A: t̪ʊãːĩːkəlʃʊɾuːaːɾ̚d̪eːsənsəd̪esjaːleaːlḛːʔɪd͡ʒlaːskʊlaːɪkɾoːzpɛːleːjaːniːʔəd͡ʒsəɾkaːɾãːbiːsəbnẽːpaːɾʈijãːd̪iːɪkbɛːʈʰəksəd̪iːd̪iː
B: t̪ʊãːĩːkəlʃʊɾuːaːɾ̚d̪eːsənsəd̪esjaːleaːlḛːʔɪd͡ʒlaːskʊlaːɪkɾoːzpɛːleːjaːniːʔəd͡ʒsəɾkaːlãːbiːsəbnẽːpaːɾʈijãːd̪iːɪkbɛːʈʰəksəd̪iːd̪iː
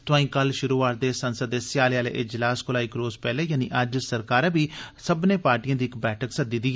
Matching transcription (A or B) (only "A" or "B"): A